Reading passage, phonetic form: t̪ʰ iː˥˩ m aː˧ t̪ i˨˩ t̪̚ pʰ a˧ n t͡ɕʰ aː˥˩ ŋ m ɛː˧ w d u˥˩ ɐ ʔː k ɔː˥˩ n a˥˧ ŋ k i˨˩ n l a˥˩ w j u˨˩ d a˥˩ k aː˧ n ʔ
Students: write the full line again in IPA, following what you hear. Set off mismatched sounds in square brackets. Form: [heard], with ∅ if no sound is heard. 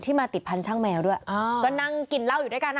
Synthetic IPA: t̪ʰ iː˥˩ m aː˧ t̪ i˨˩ t̪̚ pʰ a˧ n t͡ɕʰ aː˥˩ ŋ m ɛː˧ w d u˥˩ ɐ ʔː k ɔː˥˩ n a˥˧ ŋ k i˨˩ n l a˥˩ w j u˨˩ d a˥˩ k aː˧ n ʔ